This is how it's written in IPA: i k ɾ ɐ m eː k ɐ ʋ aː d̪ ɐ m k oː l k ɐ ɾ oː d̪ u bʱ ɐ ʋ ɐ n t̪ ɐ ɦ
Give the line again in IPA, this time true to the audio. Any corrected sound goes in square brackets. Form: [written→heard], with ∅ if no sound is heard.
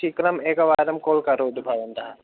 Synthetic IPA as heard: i k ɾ ɐ m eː k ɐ ʋ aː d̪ ɐ m k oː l k ɐ ɾ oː d̪ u bʱ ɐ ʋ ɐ n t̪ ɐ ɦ